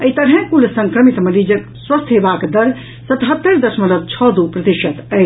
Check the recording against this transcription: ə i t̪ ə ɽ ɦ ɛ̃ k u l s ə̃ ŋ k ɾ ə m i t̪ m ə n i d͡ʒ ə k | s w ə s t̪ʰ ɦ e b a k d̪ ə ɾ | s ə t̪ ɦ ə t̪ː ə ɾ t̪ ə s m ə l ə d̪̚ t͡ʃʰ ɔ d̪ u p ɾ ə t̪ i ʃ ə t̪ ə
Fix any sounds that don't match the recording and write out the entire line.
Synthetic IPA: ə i t̪ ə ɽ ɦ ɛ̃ k u l s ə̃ ŋ k ɾ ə m i t̪ m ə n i d͡ʒ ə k | s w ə s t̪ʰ ɦ e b a k d̪ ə ɾ | s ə t̪ ɦ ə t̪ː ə ɾ d̪ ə s m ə l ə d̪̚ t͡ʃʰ ɔ d̪ u p ɾ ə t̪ i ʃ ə t̪ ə